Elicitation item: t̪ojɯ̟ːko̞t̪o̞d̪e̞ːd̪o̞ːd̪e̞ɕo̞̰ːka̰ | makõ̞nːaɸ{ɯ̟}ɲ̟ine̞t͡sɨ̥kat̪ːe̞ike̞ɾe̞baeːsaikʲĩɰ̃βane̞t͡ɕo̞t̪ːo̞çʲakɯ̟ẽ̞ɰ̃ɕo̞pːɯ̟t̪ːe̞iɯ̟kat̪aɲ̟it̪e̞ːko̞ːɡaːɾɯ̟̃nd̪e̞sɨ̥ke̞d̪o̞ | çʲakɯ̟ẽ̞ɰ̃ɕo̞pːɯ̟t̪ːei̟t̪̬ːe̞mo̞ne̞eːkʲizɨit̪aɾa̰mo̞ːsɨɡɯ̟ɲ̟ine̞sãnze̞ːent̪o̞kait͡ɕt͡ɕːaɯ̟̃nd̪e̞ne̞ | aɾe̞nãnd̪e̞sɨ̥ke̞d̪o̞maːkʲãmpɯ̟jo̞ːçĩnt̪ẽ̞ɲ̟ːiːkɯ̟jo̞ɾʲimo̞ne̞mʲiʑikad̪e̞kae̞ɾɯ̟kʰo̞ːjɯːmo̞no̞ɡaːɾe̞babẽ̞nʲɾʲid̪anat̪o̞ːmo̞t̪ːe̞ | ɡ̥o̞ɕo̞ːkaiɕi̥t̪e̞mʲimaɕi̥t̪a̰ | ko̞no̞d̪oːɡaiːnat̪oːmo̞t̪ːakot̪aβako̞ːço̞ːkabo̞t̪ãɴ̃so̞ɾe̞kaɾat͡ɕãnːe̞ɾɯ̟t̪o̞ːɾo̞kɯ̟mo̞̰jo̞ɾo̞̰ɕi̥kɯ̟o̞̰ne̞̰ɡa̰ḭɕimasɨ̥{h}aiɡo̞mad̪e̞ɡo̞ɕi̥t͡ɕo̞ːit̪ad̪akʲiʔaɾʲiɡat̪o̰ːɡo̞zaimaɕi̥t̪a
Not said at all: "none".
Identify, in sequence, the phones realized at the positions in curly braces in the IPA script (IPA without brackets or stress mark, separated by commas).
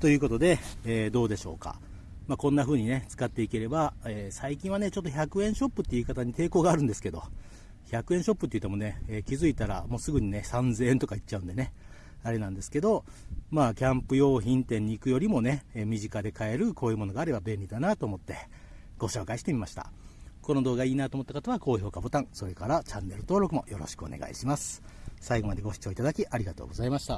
ɯ̟ː, s